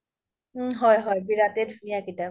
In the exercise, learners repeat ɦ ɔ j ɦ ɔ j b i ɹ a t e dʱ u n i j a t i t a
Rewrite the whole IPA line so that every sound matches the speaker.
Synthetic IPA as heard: ɦ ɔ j ɦ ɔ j b i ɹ a t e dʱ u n i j a k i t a